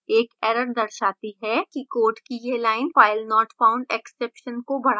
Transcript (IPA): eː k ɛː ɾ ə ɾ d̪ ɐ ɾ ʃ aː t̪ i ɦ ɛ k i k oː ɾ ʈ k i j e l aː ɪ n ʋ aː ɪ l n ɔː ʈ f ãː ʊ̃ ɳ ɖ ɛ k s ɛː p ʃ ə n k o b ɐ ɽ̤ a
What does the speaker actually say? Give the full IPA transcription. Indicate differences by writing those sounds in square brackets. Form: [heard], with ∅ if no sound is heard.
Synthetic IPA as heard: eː k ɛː ɾ ə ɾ d̪ ɐ ɾ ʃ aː t̪ i ɦ ɛ k i k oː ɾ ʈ k i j e l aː ɪ n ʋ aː ɪ l n ɔː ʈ f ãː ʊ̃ ɳ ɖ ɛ k s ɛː p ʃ ə n k o b ɐ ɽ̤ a